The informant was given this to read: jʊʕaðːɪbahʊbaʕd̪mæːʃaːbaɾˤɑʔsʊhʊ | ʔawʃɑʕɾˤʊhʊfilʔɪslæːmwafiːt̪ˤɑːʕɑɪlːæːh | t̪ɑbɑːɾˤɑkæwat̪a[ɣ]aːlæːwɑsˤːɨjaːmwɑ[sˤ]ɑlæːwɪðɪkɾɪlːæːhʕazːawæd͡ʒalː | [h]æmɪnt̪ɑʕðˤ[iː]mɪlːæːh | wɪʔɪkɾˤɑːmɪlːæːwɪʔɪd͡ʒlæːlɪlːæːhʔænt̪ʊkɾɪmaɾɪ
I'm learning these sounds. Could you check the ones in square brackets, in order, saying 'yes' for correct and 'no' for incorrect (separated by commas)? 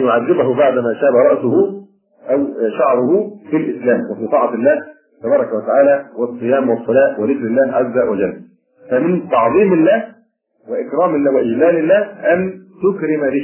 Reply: no, no, no, yes